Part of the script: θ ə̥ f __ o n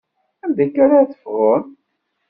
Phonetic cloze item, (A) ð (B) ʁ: B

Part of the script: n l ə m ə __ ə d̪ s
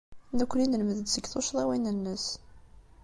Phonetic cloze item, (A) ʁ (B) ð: B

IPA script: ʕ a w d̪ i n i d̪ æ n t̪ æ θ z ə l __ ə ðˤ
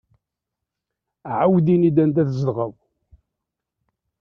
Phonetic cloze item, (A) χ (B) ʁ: B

